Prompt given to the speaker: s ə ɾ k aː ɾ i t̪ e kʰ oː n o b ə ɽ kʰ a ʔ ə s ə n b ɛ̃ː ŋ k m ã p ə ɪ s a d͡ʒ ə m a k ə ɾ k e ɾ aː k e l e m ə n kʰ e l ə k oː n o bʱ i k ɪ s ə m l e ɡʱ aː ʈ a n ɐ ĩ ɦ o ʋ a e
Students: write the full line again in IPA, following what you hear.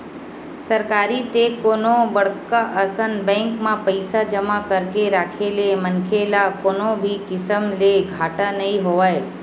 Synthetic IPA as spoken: s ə ɾ k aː ɾ i t̪ e k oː n o b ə ɽ k a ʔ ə s ə n b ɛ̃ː ŋ k m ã p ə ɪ s a d͡ʒ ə m a k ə ɾ k e ɾ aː kʰ e l e m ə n kʰ e l a k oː n o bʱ i k ɪ s ə m l e ɡʱ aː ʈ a n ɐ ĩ ɦ o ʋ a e